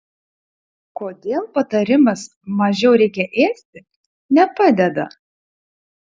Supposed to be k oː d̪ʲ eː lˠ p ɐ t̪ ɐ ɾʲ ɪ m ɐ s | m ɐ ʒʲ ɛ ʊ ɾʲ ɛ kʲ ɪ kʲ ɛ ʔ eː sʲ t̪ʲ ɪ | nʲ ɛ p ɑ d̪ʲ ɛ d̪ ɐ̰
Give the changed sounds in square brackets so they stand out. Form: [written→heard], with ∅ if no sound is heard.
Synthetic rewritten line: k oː d̪ʲ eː lˠ p ɐ t̪ ɐ ɾʲ ɪ m ɐ s | m ɐ ʒʲ ɛ ʊ ɾʲ ɛ [kʲ→∅] ɪ kʲ ɛ ʔ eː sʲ t̪ʲ ɪ | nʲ ɛ p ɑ d̪ʲ ɛ d̪ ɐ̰